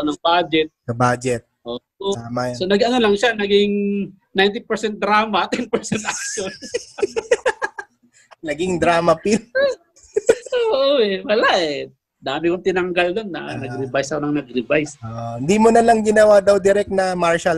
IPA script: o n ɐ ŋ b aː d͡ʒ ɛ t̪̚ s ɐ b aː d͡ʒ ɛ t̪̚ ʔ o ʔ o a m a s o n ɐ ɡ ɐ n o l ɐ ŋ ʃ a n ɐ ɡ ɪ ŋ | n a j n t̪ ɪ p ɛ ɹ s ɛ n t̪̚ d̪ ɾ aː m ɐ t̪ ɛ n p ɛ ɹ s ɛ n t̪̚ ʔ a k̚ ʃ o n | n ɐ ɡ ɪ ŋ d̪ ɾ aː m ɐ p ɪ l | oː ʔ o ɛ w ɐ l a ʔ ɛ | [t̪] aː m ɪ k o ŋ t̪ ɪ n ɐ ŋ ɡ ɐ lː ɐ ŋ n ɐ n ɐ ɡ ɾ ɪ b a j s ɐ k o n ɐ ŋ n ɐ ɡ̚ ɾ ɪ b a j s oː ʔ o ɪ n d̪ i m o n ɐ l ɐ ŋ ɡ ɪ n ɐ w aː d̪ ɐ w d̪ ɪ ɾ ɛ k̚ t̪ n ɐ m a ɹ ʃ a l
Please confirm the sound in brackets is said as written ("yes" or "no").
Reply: no